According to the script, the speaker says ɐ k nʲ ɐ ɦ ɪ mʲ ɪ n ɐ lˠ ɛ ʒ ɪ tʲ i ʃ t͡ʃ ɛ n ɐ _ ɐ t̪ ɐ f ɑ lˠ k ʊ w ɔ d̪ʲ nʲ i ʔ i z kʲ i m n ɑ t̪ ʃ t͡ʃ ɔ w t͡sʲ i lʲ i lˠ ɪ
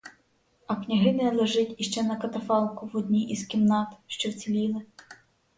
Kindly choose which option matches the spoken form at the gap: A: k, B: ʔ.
A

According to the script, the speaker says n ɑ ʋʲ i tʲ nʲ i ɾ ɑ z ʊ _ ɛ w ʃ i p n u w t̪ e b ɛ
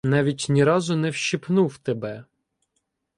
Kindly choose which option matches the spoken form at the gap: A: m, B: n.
B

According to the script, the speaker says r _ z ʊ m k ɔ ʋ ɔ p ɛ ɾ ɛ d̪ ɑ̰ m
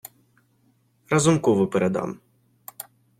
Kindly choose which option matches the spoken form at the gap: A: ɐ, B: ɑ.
A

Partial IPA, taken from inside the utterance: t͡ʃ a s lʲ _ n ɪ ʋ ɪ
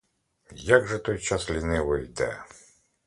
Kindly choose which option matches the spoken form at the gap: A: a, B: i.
B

